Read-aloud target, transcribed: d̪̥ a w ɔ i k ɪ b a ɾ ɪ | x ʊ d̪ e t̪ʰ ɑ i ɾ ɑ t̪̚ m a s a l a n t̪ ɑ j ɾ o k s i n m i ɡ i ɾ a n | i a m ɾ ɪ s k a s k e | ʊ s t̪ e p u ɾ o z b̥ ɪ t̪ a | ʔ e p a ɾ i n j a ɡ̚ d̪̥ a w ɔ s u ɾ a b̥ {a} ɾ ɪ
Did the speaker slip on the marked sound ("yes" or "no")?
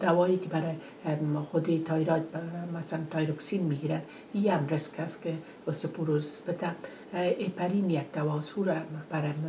no